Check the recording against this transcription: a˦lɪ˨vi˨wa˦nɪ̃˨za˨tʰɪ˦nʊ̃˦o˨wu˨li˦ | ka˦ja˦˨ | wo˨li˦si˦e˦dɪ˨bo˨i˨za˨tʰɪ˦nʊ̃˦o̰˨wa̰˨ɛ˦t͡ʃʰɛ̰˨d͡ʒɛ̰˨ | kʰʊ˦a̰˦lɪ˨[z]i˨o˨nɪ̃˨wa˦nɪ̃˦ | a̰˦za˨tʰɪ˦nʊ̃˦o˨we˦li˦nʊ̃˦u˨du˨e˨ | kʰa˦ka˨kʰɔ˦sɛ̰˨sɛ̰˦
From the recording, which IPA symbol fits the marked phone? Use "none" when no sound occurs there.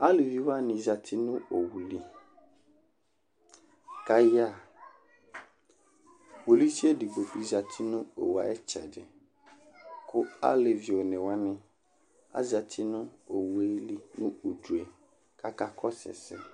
v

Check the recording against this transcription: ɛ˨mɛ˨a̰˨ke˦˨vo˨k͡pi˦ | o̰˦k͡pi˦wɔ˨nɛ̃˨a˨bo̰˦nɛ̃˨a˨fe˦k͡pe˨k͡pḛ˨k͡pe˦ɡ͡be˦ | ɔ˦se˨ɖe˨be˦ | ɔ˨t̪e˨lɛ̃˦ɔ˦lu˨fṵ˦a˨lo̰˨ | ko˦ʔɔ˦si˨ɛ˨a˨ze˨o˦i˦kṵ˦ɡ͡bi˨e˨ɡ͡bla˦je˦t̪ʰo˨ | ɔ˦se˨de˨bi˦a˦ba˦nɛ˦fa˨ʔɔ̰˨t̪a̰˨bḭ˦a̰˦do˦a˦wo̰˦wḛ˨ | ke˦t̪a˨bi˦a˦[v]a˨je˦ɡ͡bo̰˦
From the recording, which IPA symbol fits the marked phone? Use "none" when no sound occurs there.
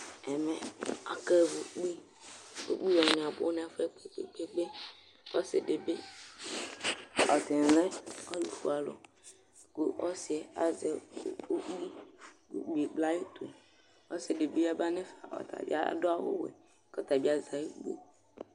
z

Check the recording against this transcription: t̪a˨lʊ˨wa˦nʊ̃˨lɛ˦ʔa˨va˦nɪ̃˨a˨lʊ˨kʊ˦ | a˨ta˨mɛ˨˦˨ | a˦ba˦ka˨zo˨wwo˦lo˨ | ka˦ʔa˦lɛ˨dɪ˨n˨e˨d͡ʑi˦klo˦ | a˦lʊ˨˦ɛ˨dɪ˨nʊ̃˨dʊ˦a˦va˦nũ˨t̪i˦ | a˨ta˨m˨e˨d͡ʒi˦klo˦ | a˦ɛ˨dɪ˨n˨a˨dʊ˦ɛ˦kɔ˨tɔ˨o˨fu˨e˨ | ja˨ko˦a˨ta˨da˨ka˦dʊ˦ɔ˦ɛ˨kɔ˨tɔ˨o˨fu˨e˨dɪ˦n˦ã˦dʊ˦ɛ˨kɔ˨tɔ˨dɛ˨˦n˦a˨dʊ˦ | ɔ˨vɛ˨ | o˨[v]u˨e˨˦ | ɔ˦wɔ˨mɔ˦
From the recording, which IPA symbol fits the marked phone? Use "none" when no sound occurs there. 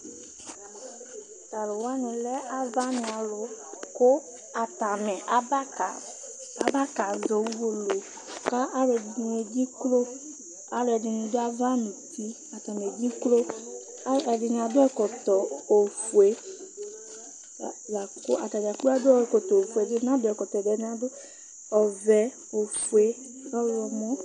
f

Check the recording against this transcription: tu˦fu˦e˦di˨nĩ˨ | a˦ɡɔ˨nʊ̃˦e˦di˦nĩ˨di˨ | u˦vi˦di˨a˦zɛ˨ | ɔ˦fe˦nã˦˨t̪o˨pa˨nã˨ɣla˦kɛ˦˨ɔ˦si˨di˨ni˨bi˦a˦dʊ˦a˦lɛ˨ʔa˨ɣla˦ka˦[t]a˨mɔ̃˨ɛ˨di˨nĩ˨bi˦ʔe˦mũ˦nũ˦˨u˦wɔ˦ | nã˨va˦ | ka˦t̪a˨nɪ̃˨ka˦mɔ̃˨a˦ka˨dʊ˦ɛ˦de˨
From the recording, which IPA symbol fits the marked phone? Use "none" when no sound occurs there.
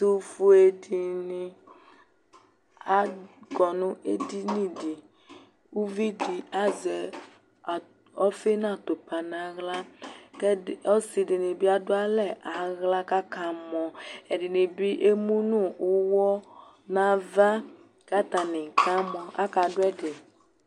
k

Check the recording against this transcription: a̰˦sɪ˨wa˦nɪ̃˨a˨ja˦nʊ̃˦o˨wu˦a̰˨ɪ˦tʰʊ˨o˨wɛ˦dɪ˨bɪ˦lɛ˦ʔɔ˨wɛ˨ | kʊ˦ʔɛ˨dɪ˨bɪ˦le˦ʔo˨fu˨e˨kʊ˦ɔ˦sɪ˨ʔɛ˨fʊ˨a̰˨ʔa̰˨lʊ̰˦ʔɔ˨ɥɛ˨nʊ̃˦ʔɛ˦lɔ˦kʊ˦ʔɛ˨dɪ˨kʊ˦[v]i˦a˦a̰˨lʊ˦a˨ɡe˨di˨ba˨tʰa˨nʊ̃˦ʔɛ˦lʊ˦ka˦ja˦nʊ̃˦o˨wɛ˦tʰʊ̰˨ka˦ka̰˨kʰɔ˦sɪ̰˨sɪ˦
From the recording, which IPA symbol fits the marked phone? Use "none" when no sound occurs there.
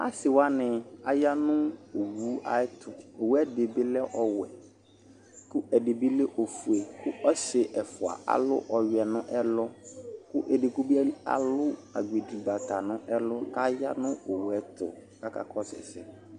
b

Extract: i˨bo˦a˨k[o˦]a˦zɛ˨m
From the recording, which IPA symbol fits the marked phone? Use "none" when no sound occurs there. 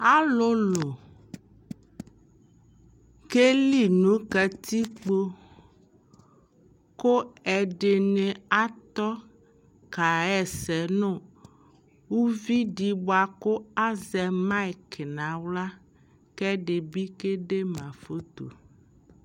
o˦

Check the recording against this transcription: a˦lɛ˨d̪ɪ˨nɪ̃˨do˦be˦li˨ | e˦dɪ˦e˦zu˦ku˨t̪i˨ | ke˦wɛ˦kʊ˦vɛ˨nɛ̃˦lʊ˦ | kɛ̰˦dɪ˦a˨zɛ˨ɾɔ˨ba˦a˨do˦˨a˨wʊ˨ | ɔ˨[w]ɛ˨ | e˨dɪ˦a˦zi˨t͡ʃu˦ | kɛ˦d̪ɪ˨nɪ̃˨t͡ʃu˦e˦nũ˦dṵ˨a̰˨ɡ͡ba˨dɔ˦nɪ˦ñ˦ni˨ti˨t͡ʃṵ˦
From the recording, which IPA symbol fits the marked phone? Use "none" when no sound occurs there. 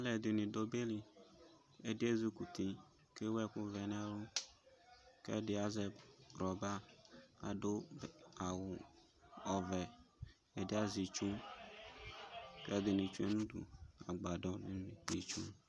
v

